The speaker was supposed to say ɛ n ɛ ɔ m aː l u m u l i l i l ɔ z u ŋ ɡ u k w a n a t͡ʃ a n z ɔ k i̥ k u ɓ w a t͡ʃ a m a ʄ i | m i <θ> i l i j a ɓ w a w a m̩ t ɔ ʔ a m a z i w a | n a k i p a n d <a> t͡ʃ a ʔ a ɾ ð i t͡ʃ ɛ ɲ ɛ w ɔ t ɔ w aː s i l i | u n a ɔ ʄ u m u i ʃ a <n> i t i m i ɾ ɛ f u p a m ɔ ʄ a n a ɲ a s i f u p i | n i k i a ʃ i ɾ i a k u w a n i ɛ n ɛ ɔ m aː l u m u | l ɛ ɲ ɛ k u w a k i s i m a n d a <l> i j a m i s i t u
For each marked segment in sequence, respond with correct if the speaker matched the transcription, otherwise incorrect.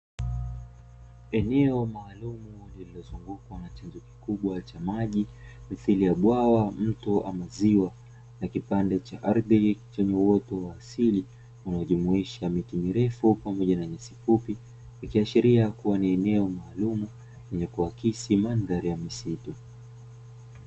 correct, incorrect: ɛ, incorrect: m, incorrect: ɾ

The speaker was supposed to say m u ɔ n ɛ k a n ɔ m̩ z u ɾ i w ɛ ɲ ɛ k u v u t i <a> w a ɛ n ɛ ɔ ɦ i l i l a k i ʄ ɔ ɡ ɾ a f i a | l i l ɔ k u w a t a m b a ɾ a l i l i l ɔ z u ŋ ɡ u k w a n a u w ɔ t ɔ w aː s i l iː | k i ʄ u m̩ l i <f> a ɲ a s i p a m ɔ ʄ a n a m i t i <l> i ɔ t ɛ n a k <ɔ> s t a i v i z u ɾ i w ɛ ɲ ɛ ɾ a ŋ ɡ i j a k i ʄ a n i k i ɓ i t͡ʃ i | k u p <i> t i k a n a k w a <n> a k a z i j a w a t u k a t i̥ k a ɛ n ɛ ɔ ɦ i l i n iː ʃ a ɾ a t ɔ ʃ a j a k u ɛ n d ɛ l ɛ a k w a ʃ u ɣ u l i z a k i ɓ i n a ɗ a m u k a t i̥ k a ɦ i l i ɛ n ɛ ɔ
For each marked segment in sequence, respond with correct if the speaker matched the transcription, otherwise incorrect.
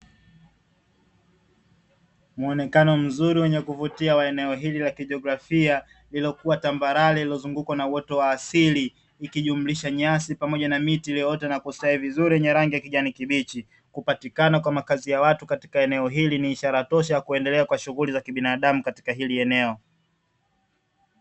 correct, incorrect: ʃ, correct, incorrect: u, incorrect: a, incorrect: m

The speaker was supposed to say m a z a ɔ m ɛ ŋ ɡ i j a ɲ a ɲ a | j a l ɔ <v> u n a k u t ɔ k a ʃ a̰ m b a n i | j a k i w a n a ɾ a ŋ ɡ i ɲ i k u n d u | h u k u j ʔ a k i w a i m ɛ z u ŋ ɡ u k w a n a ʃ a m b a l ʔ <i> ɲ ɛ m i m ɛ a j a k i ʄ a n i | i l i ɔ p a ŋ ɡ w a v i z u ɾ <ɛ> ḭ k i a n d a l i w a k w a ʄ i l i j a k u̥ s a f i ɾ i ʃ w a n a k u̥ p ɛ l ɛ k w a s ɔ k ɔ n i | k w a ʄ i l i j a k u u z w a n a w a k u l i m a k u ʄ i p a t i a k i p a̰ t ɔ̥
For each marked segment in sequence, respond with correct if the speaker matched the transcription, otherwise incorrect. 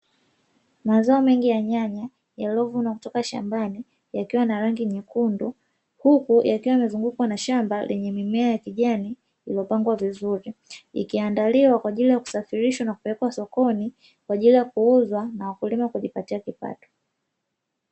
correct, incorrect: ɛ, incorrect: i

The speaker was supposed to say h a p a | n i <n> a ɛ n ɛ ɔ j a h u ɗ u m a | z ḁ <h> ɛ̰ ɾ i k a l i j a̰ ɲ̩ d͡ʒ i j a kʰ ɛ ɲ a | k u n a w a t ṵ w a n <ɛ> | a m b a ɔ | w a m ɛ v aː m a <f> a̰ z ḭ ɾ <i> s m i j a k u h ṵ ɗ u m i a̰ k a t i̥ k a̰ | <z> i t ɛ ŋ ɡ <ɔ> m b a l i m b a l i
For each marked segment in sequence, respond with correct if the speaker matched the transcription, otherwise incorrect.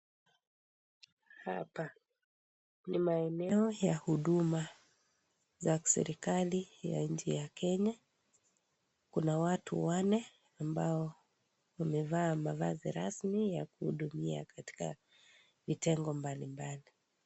incorrect: m, incorrect: s, correct, incorrect: v, incorrect: a, incorrect: v, correct

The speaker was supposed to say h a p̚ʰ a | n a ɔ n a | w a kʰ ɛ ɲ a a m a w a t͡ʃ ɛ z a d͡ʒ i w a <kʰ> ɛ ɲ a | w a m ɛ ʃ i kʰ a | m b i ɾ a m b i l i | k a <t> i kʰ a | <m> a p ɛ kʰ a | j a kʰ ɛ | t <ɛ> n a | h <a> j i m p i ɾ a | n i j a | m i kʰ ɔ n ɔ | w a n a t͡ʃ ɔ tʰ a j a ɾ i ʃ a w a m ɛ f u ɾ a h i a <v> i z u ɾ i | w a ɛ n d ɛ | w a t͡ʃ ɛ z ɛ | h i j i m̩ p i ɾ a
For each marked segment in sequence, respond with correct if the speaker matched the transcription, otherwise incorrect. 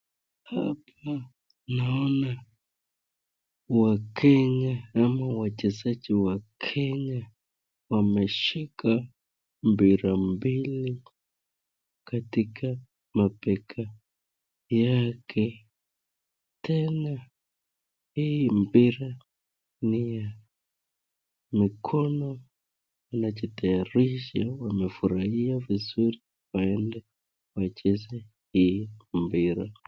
correct, correct, correct, correct, incorrect: i, correct

